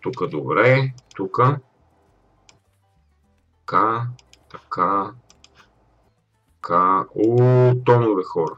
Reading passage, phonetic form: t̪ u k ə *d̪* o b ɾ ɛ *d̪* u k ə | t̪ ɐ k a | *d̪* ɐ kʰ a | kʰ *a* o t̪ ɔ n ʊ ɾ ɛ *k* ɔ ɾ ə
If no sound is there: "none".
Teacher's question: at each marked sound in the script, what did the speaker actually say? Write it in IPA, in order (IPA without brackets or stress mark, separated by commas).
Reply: d̪, t̪, t̪, a, x